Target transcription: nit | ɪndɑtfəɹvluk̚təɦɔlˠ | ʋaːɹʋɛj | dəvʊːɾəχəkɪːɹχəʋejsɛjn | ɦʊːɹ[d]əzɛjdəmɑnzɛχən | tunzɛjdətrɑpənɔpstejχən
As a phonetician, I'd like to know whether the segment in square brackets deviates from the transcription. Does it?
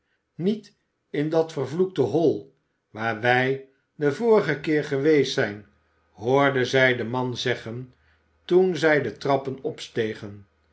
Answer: no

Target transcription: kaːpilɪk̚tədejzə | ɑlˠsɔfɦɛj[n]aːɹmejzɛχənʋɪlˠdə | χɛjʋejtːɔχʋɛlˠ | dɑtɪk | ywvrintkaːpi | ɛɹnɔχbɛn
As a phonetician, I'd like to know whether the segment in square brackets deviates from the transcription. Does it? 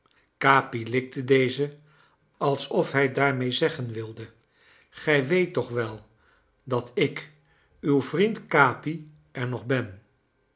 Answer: yes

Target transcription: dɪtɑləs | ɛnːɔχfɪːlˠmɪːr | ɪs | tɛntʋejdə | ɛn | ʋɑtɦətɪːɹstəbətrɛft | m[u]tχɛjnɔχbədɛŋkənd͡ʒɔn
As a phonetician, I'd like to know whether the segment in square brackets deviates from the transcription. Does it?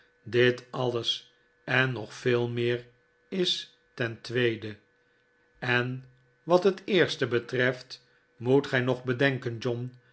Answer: no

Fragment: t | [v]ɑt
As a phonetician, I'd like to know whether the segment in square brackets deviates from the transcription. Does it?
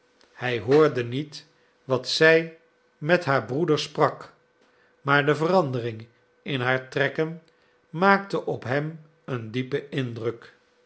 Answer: yes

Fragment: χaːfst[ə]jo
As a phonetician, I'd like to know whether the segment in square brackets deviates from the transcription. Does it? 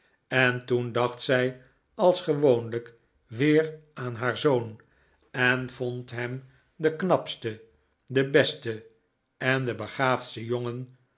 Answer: no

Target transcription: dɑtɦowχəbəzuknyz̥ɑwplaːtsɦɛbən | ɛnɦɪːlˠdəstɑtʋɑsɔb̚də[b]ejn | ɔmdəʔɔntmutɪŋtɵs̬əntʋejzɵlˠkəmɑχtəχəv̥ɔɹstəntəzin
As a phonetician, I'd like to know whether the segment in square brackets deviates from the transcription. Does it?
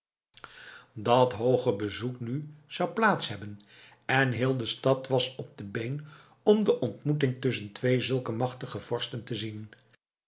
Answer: no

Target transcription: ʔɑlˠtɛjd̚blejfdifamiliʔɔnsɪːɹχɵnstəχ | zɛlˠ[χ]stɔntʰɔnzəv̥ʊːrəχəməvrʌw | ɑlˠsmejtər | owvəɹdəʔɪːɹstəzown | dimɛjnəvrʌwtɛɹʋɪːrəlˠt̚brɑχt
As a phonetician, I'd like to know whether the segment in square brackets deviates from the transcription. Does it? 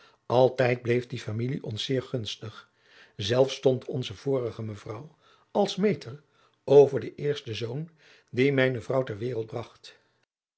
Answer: yes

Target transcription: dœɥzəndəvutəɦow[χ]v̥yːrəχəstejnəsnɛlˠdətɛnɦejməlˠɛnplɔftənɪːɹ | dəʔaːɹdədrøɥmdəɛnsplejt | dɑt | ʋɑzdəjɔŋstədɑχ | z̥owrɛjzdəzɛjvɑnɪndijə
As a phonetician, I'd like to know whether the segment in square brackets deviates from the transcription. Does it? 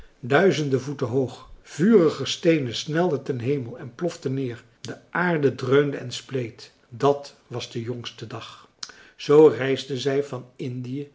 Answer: no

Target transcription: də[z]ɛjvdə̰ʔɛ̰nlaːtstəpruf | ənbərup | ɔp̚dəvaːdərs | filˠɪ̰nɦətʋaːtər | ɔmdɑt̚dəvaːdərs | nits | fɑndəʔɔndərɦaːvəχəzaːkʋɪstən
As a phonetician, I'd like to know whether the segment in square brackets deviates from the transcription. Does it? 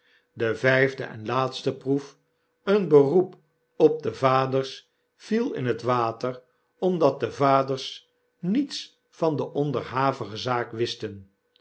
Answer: yes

